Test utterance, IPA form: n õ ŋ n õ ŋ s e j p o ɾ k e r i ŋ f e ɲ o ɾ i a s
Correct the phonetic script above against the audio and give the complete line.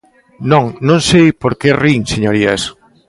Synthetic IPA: n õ ŋ n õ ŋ s e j p o ɾ k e r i ŋ s e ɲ o ɾ i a s